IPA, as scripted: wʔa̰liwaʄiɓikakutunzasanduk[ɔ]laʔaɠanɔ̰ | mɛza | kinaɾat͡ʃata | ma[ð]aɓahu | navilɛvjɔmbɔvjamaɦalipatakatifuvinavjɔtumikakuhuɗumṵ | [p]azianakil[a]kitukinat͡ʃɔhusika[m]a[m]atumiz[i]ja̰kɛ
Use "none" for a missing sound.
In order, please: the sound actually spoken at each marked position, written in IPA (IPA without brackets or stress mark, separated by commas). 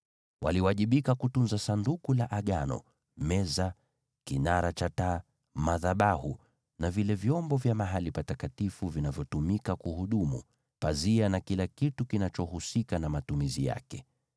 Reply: u, ð, p, a, n, m, i